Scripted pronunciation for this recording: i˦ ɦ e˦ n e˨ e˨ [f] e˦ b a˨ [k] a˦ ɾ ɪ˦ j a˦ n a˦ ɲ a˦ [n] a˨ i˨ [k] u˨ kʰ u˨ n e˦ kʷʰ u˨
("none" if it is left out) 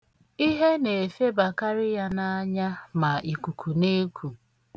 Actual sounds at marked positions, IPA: f, k, m, k

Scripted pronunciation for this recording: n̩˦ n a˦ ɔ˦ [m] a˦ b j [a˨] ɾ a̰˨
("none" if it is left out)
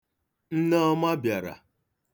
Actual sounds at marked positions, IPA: m, a˨

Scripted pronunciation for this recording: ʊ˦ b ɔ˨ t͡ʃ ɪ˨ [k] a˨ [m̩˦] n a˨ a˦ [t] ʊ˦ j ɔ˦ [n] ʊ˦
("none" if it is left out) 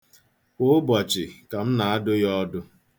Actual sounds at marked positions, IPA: k, m̩˦, d, d

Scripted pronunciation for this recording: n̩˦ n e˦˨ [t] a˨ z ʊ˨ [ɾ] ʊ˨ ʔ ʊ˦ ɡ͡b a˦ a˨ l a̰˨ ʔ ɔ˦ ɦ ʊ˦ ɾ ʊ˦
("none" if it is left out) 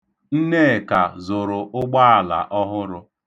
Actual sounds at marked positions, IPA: k, ɾ

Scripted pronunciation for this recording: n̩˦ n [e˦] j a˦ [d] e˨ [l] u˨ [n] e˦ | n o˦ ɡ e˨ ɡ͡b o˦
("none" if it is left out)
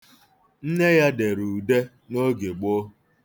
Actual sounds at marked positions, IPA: e˦, d, ɾ, d

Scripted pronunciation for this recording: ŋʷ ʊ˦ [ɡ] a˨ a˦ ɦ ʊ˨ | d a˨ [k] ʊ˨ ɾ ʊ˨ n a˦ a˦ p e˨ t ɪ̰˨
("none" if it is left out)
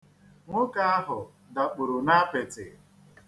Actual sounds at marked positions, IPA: k, k͡p

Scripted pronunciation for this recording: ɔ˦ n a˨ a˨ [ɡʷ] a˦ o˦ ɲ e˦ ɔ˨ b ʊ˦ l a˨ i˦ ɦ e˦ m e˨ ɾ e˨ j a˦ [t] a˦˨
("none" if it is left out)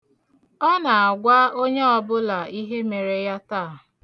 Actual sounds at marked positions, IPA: ɡʷ, t

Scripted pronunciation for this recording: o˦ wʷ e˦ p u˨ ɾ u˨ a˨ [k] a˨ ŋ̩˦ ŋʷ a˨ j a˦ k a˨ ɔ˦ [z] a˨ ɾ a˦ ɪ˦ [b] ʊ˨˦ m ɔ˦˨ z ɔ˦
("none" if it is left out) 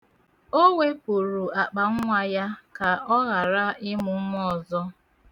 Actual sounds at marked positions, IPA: k͡p, ɣ, m

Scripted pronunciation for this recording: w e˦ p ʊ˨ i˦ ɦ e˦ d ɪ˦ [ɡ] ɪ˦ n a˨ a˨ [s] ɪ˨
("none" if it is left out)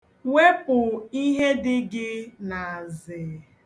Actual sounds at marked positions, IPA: ɡ, z

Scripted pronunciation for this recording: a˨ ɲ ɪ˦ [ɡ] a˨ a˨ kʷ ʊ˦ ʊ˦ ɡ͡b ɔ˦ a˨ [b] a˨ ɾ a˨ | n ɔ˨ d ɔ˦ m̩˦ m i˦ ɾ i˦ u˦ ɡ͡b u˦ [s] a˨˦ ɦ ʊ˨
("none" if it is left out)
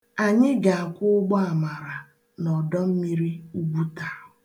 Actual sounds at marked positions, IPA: ɡ, m, t

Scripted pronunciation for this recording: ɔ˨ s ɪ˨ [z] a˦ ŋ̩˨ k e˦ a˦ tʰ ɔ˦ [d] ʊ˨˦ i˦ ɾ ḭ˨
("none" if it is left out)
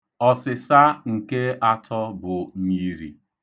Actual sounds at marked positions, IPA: s, b

